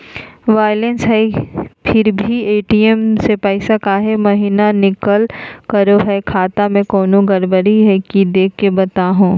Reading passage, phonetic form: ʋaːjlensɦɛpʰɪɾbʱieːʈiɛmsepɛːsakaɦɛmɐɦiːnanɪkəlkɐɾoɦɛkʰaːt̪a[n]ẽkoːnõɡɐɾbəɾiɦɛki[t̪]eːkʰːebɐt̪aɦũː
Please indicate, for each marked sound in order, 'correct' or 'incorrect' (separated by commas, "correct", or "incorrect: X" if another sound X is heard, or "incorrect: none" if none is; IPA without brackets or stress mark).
incorrect: m, incorrect: d̪